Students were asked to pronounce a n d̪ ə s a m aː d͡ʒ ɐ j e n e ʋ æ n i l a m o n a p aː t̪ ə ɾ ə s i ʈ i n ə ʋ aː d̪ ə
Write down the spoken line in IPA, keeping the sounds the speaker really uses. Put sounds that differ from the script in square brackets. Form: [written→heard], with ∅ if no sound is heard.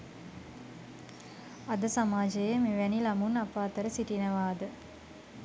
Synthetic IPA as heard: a [n→∅] d̪ ə s a m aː d͡ʒ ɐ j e [n→m] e ʋ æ n i l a m [o→u] n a p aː t̪ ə ɾ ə s i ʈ i n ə ʋ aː d̪ ə